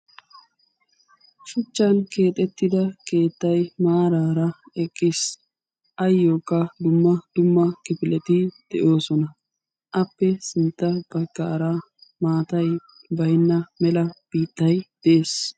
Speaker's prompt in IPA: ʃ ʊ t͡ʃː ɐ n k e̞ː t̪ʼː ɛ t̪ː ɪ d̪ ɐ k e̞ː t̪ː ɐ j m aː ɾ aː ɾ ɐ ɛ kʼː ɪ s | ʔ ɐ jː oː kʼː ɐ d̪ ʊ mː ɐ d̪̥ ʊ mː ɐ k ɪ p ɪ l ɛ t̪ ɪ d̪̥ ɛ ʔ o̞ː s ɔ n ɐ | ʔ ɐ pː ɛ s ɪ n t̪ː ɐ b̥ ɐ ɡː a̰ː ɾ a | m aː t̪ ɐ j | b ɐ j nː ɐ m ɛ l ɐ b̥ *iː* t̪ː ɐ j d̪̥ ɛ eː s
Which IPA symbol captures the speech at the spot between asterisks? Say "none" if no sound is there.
iː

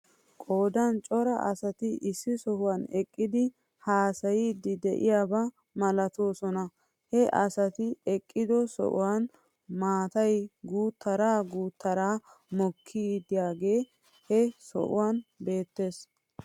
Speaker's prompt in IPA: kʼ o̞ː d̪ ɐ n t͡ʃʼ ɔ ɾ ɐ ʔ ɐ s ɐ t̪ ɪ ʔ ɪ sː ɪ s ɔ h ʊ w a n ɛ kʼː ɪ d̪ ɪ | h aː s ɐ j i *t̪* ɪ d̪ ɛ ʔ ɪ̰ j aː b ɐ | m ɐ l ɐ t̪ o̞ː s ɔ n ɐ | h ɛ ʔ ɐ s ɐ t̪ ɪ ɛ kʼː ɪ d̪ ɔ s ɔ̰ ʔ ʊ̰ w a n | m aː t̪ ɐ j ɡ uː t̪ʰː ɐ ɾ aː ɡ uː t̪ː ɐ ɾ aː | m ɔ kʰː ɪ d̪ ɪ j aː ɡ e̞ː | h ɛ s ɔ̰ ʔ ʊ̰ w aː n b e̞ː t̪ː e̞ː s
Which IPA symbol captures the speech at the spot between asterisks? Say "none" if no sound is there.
d̪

